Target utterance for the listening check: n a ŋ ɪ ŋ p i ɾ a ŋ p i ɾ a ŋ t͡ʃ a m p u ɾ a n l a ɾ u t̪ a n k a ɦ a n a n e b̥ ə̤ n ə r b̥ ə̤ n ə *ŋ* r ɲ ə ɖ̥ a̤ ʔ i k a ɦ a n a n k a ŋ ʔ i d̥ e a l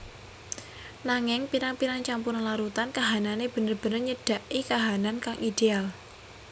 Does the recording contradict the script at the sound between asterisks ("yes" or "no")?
yes